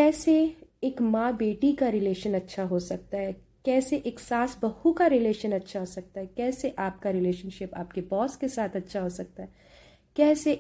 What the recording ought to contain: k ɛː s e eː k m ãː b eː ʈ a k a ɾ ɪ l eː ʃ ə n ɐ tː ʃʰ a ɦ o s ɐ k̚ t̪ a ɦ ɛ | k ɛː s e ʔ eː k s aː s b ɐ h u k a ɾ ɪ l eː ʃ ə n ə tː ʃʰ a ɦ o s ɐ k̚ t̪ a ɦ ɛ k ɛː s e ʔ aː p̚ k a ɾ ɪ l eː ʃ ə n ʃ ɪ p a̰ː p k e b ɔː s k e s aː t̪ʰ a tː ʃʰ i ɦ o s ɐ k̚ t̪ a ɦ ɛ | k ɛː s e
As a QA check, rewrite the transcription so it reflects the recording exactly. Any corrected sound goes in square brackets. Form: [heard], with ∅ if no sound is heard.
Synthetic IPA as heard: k ɛː s e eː k m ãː b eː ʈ [i] k a ɾ ɪ l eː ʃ ə n ɐ tː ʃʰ a ɦ o s ɐ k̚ t̪ a ɦ ɛ | k ɛː s e ʔ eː k s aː s b ɐ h u k a ɾ ɪ l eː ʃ ə n [ɐ] tː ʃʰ a ɦ o s ɐ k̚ t̪ a ɦ ɛ k ɛː s e ʔ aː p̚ k a ɾ ɪ l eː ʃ ə n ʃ ɪ p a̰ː p k e b ɔː s k e s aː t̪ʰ [ɐ] tː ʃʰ [a] ɦ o s ɐ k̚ t̪ a ɦ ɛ | k ɛː s e